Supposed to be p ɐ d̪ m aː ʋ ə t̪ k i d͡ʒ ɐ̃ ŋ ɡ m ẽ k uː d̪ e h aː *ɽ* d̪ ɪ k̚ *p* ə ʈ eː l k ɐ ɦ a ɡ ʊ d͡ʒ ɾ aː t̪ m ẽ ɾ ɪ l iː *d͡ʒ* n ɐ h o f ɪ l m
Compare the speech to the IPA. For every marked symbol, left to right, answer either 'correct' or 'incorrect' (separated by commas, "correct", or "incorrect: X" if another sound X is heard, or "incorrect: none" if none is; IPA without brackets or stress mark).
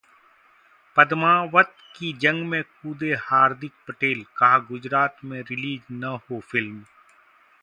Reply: incorrect: ɾ, correct, correct